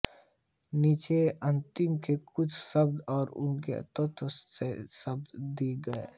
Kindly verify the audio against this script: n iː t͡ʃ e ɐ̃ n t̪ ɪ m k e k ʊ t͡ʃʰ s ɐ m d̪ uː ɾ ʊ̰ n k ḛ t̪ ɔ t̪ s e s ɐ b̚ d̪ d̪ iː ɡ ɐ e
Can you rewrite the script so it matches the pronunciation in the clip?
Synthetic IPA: n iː t͡ʃ e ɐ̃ n t̪ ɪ m k e k ʊ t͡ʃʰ s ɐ b d̪ ɔː ɾ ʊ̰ n k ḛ t̪ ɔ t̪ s e s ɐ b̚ d̪ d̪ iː ɡ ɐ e